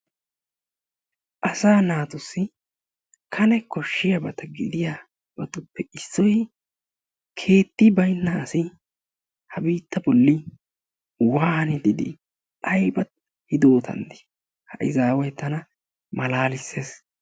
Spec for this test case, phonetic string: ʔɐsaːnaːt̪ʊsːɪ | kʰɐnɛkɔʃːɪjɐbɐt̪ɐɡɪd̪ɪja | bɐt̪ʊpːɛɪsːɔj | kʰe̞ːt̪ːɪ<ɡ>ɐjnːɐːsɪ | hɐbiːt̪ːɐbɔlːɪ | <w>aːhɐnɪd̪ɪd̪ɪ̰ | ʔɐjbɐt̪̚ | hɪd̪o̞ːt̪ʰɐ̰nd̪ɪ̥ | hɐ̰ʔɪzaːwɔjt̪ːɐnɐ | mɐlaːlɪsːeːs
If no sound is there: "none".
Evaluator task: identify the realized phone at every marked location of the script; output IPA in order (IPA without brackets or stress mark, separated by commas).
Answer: b, w